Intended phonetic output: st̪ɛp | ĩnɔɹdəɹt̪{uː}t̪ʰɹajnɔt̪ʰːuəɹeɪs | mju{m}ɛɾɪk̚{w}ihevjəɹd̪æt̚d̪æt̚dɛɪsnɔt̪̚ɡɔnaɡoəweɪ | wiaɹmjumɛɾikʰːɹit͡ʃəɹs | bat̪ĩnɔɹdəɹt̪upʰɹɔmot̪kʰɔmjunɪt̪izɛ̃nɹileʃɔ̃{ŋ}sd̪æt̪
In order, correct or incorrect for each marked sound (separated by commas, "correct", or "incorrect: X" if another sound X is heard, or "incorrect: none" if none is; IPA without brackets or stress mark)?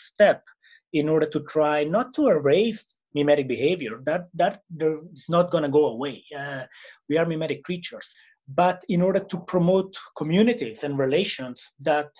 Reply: incorrect: u, correct, incorrect: b, incorrect: n